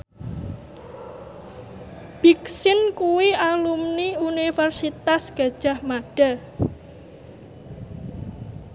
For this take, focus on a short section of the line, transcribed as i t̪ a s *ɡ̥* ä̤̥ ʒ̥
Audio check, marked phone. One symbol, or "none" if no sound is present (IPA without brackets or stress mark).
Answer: ɡ̥